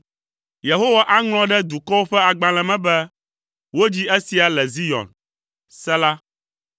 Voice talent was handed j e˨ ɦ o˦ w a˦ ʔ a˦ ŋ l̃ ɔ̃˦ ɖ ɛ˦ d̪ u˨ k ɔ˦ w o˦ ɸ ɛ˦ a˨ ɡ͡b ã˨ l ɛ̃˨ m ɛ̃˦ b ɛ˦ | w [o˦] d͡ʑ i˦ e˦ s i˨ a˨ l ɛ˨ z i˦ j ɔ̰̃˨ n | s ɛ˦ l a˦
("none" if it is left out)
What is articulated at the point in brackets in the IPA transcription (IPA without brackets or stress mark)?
o˦